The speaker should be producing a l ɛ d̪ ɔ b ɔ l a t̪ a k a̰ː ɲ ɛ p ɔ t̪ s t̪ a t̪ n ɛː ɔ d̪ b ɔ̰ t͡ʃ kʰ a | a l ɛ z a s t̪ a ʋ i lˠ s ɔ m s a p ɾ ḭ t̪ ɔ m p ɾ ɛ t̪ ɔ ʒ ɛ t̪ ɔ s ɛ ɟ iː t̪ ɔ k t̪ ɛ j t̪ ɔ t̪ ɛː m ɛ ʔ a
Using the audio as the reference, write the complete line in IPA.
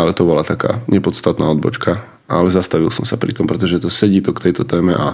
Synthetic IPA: a l ɛ t̪ ɔ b ɔ l a t̪ a k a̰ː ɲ ɛ p ɔ t̪ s t̪ a t̪ n aː ɔ d̪ b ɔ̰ t͡ʃ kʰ a | a l ɛ z a s t̪ a ʋ i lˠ s ɔ m s a p ɾ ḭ t̪ ɔ m p ɾ ɛ t̪ ɔ ʒ ɛ t̪ ɔ s ɛ ɟ iː t̪ ɔ k t̪ ɛ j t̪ ɔ t̪ ɛː m ɛ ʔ a